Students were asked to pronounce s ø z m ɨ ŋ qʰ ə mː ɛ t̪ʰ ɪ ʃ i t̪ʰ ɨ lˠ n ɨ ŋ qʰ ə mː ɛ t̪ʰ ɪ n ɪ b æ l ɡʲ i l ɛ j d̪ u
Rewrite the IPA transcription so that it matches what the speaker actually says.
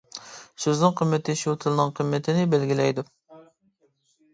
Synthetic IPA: s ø z n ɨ ŋ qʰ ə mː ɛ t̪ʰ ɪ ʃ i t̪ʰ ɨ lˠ n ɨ ŋ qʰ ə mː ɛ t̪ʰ ɪ n ɪ b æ l ɡʲ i l ɛ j d̪ u